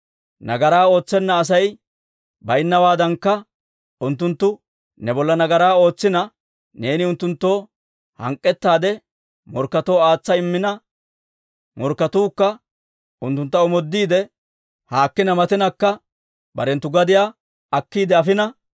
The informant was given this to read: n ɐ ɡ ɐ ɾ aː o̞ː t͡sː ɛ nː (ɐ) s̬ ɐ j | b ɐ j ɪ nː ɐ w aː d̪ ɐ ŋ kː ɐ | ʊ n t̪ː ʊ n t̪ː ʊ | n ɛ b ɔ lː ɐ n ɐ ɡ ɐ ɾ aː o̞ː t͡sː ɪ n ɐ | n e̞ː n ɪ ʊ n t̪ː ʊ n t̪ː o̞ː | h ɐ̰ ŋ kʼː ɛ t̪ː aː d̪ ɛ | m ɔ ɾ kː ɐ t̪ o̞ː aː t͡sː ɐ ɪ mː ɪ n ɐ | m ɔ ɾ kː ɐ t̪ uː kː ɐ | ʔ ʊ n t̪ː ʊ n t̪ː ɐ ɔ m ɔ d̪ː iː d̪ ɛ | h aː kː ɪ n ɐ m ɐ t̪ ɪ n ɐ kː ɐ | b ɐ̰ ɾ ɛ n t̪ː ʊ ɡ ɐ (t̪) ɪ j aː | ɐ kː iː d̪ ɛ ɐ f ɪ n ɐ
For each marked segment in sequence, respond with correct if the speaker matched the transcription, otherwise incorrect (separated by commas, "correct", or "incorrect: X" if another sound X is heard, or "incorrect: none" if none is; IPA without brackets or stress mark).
incorrect: ɐː, incorrect: d̪